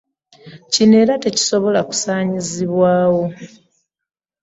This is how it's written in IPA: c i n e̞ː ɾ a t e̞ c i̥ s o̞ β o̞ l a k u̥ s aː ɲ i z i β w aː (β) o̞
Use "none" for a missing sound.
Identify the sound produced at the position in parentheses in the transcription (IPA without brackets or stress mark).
w